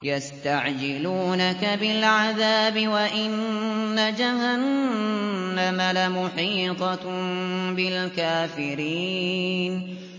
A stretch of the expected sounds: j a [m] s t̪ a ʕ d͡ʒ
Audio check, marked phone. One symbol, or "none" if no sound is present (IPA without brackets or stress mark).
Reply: none